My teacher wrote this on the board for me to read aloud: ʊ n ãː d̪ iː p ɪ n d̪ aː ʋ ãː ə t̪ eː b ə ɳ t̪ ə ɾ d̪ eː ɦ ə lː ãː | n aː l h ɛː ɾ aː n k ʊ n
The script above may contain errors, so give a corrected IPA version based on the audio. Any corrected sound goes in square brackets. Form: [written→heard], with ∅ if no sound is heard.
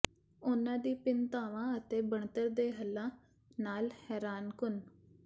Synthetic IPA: ʊ n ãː d̪ iː p ɪ n [d̪→t̪] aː ʋ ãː ə t̪ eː b ə ɳ t̪ ə ɾ d̪ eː ɦ ə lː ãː | n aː l h ɛː ɾ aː n k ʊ n

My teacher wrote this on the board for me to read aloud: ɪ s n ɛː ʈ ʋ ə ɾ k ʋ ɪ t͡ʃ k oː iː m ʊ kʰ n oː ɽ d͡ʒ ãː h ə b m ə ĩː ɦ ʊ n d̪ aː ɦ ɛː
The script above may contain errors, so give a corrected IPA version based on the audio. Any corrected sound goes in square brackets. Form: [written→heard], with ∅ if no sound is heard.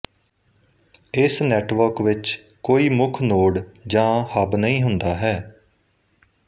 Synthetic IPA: ɪ s n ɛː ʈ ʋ ə ɾ k ʋ ɪ t͡ʃ k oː iː m ʊ kʰ n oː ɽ d͡ʒ ãː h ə b [m→n] ə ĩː ɦ ʊ n d̪ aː ɦ ɛː

